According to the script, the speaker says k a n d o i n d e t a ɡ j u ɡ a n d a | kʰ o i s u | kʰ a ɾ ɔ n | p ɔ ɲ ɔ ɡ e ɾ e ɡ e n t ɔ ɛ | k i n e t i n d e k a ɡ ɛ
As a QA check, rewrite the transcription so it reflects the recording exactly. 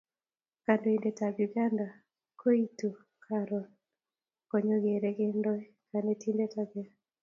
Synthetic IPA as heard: k a n d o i n d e t a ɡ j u ɡ a n d a | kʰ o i t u | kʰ a ɾ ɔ n | k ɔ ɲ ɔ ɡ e ɾ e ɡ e n d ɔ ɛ | k a n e t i n d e t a ɡ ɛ